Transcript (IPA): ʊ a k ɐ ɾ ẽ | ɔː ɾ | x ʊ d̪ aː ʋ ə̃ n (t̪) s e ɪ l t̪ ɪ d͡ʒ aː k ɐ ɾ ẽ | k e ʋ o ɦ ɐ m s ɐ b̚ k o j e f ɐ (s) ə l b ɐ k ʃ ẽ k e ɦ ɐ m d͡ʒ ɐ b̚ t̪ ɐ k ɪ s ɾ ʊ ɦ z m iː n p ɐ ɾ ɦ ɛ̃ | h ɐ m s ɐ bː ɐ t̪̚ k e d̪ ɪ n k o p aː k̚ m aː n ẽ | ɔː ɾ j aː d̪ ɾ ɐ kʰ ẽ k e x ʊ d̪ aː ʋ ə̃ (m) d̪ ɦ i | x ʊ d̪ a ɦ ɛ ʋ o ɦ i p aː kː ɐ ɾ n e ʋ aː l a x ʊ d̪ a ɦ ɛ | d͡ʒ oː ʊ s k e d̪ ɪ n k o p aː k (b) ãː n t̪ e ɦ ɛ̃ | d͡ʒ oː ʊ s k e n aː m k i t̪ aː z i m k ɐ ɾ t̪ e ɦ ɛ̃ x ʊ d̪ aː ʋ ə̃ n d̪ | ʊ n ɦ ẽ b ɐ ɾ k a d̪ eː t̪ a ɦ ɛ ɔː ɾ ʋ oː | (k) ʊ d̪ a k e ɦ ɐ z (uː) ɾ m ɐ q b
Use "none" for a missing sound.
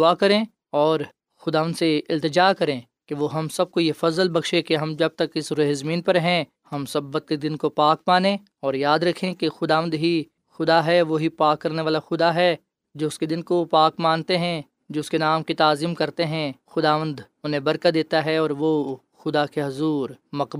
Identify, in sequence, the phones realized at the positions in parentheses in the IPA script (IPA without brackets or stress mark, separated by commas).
d̪, z, n, m, x, uː